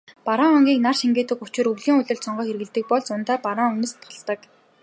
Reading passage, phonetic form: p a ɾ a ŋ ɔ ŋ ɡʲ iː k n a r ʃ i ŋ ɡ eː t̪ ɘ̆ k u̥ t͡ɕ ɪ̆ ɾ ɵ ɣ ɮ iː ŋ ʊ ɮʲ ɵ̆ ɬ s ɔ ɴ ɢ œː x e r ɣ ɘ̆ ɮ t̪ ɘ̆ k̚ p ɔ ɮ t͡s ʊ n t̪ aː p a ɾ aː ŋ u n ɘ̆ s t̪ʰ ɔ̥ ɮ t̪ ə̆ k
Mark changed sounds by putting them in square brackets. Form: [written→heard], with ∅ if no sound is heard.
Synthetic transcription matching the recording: p a ɾ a ŋ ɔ ŋ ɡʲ iː k n a r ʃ i ŋ ɡ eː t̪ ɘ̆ k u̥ t͡ɕ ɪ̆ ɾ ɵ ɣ ɮ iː ŋ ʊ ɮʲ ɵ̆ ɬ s ɔ ɴ ɢ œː x e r ɣ ɘ̆ ɮ t̪ ɘ̆ k̚ p ɔ ɮ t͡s ʊ n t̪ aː p a ɾ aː ŋ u n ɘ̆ s t̪ʰ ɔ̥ ɮ t̪ ə̆ k